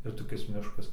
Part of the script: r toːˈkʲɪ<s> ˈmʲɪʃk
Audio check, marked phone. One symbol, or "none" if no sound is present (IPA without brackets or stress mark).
s